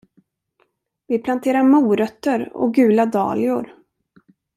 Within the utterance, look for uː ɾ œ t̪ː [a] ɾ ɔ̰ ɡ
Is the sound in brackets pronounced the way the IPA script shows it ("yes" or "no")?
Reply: no